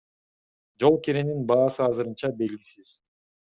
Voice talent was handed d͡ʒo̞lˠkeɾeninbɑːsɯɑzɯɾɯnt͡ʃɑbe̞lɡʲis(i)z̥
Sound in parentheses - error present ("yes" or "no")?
no